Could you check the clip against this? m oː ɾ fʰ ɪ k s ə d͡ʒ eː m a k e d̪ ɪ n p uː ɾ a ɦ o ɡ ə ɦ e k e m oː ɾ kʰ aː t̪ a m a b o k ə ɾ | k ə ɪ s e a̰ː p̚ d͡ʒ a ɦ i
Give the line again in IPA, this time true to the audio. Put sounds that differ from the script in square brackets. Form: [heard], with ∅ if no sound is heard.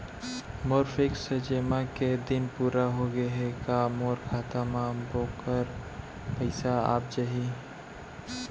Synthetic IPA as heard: m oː ɾ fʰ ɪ k s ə d͡ʒ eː m a k e d̪ ɪ n p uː ɾ a ɦ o ɡ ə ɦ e k [a] m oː ɾ kʰ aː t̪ a m a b o k ə ɾ | [p] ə ɪ s [a] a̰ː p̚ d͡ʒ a ɦ i